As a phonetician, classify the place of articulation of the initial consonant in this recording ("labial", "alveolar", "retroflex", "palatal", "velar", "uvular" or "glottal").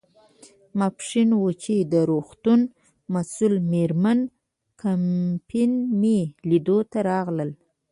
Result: labial